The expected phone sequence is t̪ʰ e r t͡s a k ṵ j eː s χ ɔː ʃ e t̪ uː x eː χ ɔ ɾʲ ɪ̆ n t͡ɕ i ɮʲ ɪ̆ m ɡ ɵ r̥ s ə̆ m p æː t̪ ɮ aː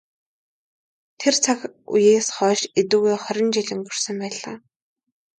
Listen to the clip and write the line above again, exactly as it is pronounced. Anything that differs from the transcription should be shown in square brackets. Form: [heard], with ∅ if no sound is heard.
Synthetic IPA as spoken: t̪ʰ e r [t͡sʰ] a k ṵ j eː s χ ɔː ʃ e t̪ uː [ɣ] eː χ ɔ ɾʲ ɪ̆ n t͡ɕ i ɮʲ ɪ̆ [ŋ] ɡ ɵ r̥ s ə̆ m p æː [∅] ɮ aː